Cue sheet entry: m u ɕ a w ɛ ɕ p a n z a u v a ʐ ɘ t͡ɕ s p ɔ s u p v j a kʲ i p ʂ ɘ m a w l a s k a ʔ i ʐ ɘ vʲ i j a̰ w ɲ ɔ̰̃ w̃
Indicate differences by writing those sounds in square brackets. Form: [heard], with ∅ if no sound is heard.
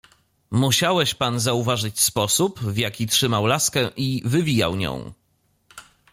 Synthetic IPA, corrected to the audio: m u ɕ a w ɛ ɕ p a n z a u v a ʐ ɘ t͡ɕ s p ɔ s u p v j a kʲ i [t] ʂ ɘ m a w l a s k [ɛ] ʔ i [v] ɘ vʲ i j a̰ w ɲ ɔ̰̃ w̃